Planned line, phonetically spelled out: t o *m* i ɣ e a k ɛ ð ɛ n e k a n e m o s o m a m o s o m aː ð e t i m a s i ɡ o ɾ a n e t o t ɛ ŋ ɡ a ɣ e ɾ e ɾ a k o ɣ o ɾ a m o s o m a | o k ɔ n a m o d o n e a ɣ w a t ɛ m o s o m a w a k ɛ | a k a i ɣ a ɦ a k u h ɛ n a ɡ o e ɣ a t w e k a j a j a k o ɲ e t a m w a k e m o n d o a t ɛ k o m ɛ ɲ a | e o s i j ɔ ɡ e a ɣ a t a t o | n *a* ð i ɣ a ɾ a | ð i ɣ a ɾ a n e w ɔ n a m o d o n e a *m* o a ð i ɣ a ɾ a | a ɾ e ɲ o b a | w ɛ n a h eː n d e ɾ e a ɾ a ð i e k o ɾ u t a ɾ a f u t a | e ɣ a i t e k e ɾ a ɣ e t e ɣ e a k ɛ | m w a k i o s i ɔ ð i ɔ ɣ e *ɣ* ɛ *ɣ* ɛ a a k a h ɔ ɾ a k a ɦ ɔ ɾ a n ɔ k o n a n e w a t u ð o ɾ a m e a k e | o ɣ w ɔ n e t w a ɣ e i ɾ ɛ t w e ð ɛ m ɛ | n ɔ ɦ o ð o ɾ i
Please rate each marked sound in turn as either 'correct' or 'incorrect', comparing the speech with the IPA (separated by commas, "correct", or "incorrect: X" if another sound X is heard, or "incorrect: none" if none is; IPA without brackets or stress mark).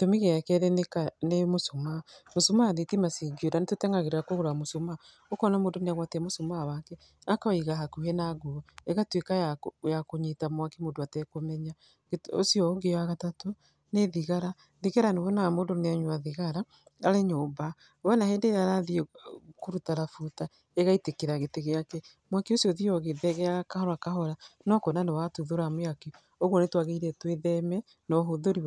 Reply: correct, incorrect: e, incorrect: ɲ, incorrect: ð, correct